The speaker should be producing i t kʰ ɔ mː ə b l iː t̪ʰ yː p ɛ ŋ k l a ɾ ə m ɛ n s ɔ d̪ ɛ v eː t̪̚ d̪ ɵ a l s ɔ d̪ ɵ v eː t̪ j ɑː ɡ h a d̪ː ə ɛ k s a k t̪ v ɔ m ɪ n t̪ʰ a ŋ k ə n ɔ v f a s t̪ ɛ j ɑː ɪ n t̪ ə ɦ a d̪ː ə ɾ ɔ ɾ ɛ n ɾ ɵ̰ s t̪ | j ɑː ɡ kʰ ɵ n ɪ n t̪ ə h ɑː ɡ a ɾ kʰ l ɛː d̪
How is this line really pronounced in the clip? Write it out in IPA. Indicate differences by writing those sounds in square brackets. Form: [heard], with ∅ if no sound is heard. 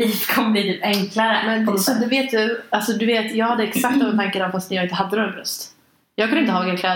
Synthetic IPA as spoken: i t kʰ ɔ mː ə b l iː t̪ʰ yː p ɛ ŋ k l a ɾ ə m ɛ n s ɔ d̪ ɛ v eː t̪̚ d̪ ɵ a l s ɔ d̪ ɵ v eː t̪ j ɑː ɡ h a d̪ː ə ɛ k s a k t̪ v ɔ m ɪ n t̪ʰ a ŋ k ə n ɔ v f a s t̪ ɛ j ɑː ɪ n t̪ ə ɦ a d̪ː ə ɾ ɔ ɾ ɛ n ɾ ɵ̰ s t̪ | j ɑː ɡ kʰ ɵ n ɪ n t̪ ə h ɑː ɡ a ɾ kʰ l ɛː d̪